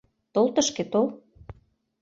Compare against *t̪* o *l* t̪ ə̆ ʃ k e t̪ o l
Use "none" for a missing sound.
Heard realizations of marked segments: t̪, l

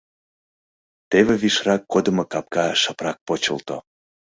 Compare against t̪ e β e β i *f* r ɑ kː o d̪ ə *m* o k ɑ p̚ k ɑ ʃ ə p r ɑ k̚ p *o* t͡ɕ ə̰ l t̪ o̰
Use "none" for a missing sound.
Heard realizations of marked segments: ʃ, m, o

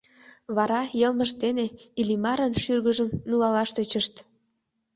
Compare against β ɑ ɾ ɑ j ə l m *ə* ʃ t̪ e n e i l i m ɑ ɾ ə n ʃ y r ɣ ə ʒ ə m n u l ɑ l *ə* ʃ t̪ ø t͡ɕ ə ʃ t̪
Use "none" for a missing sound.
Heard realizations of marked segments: ə, ɑ

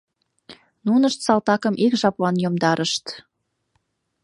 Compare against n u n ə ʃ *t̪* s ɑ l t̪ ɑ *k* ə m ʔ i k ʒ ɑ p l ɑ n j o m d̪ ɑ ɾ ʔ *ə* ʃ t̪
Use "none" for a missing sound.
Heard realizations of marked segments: t̪, k, ə

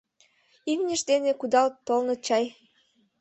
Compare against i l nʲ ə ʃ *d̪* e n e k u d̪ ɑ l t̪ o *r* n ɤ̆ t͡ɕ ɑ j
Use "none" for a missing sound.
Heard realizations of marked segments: d̪, l

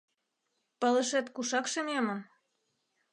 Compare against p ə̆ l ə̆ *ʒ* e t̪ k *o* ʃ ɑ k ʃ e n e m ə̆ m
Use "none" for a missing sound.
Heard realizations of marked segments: ʃ, u

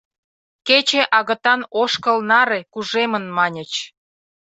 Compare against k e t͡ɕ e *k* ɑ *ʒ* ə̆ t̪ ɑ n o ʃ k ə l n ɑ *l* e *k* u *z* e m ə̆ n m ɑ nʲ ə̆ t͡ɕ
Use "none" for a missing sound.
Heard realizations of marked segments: ʔ, ɣ, ɾ, k, ʒ

